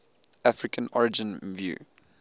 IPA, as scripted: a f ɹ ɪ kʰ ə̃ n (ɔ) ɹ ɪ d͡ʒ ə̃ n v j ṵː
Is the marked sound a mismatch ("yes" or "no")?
no